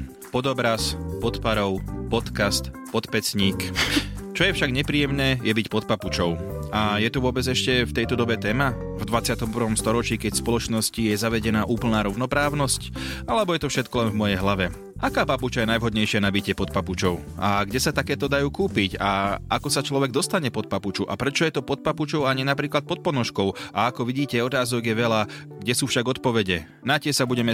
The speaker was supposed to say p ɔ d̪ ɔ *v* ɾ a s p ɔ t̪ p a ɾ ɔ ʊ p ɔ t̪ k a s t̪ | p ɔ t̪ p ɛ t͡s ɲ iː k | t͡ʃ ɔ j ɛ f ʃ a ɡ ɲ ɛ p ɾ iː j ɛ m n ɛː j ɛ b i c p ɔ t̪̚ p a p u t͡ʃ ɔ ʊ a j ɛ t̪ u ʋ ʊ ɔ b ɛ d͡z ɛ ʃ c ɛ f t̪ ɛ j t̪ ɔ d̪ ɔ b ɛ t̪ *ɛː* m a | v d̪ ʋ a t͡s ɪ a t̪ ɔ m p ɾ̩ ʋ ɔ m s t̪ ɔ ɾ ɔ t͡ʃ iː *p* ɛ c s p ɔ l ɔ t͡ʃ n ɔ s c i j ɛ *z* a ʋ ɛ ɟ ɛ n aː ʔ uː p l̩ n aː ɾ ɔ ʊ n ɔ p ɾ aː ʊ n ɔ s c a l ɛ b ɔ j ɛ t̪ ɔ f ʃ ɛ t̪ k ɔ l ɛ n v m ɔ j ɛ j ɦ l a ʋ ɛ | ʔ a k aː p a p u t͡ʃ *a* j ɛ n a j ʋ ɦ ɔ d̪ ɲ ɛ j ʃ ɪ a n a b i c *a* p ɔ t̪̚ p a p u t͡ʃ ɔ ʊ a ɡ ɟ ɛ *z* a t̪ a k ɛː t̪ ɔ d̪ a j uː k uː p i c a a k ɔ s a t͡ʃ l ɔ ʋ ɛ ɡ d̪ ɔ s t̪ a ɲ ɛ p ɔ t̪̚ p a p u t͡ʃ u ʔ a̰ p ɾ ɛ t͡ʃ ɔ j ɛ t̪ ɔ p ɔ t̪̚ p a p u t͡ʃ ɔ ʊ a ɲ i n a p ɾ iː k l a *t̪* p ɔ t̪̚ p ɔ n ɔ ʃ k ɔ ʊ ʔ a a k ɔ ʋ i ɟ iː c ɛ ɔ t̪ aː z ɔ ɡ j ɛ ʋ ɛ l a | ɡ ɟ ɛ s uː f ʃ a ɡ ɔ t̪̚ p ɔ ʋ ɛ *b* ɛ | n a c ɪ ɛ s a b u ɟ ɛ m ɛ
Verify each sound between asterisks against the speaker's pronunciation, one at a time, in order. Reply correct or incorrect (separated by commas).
incorrect, correct, incorrect, correct, correct, incorrect, incorrect, correct, incorrect